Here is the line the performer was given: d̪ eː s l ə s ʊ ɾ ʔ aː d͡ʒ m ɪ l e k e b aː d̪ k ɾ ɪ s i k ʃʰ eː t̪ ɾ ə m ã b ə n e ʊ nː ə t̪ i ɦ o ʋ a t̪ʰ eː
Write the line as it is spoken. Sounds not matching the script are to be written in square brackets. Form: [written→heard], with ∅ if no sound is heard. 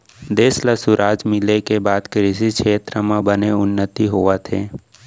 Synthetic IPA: d̪ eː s l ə s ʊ ɾ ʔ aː d͡ʒ m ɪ l e k e b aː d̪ k ɾ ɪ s i k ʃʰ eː t̪ ɾ ə m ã b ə n e ʊ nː ə t̪ i ɦ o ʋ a t̪ʰ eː